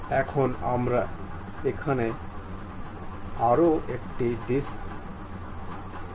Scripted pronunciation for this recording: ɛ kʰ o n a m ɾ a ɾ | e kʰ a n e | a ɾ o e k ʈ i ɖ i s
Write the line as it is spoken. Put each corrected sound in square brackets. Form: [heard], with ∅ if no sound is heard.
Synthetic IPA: ɛ kʰ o n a m ɾ a [∅] | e kʰ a n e | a ɾ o e k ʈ i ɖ i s